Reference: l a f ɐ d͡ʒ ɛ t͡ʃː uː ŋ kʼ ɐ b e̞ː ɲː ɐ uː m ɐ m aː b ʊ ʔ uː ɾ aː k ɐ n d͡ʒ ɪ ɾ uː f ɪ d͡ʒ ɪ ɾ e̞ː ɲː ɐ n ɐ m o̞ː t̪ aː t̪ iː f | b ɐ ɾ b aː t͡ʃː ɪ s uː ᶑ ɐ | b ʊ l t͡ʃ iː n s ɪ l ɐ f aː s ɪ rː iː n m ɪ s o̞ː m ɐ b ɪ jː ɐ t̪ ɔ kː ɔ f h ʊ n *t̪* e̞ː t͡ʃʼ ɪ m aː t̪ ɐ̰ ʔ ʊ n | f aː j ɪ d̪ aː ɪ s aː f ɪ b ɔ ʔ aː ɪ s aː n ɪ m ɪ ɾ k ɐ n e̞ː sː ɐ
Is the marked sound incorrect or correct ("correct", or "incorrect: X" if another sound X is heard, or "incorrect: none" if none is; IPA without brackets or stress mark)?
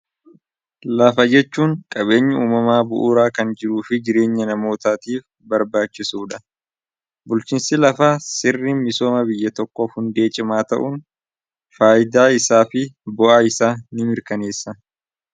incorrect: d̪